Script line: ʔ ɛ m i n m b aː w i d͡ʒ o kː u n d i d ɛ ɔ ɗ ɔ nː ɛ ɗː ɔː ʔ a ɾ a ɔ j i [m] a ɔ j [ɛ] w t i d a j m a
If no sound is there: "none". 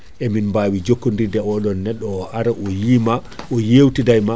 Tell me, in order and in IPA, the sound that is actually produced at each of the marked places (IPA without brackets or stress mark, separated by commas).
m, e